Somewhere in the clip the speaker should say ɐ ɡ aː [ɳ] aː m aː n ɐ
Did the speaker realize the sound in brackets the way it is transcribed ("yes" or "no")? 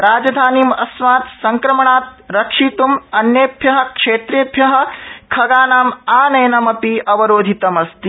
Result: no